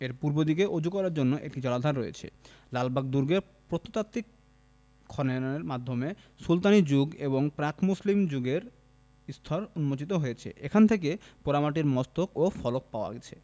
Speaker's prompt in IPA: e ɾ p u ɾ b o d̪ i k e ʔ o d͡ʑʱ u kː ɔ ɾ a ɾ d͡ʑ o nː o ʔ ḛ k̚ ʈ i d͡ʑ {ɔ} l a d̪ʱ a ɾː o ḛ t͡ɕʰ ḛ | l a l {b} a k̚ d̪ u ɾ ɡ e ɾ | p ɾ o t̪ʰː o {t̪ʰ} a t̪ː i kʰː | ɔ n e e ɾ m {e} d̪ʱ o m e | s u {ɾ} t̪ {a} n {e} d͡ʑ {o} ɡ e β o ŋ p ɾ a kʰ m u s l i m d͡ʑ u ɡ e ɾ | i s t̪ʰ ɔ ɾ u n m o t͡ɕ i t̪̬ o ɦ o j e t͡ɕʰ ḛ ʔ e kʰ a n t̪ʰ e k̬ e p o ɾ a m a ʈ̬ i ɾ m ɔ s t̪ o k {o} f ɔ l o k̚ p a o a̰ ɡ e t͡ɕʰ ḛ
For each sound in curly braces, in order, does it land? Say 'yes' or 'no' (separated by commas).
yes, yes, no, no, no, yes, no, no, yes